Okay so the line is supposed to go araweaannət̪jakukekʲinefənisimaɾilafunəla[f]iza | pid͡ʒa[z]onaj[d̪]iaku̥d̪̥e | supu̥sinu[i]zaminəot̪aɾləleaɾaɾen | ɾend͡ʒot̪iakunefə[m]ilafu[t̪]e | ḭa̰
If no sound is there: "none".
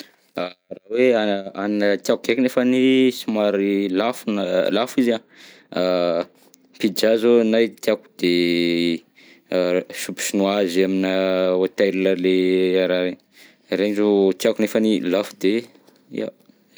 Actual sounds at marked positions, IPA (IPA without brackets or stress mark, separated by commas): f, z, t̪, a, n, d̪